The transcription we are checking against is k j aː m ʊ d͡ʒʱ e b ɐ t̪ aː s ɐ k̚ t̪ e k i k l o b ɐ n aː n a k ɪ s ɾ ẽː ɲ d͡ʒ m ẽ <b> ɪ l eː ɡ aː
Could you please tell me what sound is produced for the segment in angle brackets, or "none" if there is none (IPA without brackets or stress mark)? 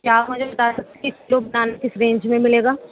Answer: m